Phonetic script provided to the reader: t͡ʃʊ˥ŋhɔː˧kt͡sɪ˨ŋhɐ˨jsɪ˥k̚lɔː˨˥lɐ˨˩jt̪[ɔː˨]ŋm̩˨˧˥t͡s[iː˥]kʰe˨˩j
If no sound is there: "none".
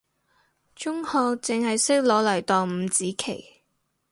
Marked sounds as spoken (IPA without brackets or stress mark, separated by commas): ɔː˨, iː˨˥